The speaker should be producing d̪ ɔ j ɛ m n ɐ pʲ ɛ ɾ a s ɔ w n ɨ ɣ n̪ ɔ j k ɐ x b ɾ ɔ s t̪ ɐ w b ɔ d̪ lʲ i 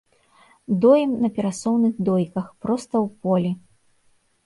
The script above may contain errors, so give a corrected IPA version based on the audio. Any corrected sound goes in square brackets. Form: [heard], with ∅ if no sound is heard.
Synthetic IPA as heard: d̪ ɔ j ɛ m n ɐ pʲ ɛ ɾ a s ɔ w n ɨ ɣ [d̪] ɔ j k ɐ x [p] ɾ ɔ s t̪ ɐ w [p] ɔ [∅] lʲ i